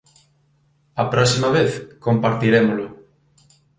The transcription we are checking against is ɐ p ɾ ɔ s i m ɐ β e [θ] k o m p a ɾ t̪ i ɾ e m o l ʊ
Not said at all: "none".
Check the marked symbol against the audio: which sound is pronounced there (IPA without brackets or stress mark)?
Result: θ